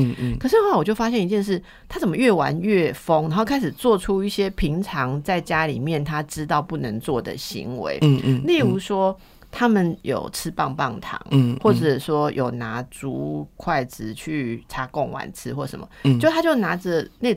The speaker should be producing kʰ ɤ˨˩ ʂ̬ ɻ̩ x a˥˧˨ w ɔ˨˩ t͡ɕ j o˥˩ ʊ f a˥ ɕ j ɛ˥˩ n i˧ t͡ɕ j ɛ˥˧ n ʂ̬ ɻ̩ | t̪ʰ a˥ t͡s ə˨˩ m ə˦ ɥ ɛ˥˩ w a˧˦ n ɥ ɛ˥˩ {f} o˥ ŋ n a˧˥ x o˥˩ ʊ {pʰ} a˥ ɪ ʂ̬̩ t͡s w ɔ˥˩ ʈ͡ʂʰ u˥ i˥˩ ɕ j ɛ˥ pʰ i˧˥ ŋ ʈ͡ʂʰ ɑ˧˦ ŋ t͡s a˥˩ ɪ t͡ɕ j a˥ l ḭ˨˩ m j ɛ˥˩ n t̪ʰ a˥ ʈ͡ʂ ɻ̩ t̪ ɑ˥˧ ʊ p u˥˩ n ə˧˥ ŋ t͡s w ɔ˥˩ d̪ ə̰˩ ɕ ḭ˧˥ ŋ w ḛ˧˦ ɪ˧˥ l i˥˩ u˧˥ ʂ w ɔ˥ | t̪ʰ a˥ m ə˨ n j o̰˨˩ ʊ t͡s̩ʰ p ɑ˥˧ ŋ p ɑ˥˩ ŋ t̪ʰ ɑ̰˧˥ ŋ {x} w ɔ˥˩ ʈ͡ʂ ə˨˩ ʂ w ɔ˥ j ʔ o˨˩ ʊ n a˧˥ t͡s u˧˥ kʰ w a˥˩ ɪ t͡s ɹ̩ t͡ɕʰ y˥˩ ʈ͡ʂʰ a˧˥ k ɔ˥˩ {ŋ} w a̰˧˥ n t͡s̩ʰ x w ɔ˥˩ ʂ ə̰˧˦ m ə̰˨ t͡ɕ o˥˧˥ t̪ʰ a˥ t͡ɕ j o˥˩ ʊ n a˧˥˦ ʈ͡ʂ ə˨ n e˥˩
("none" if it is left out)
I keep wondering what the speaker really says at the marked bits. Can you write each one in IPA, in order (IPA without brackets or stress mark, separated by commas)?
f, kʰ, x, ŋ